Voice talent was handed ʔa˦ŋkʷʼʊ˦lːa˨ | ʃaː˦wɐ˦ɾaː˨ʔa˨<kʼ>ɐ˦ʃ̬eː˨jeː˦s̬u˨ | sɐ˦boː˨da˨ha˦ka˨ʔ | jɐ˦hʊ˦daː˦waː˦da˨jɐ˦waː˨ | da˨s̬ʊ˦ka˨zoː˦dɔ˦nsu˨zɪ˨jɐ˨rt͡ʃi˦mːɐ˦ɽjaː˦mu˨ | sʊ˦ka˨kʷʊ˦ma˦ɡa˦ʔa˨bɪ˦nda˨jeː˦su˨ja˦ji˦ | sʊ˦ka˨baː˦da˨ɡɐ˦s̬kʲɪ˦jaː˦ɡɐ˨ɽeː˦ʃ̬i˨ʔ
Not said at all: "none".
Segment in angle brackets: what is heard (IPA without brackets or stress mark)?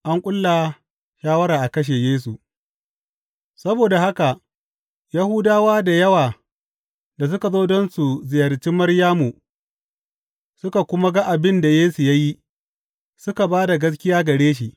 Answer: k